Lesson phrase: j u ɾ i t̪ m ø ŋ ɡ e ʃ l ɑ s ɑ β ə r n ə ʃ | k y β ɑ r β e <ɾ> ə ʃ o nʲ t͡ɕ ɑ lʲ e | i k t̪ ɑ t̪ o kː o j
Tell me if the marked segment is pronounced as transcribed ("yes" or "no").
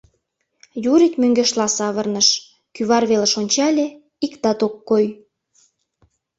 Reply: no